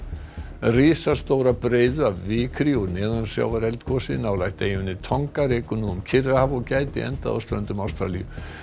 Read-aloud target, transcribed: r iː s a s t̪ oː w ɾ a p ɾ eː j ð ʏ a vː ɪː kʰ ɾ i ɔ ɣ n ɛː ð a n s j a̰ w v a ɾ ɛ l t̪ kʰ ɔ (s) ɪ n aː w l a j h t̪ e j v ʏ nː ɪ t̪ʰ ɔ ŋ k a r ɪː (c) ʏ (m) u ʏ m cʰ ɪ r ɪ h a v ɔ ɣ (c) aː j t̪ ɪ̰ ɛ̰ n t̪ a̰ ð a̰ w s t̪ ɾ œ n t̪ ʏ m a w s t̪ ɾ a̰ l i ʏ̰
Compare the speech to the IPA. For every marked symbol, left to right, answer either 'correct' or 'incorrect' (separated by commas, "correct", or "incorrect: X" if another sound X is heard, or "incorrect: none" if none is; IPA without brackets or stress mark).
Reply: correct, incorrect: k, incorrect: n, correct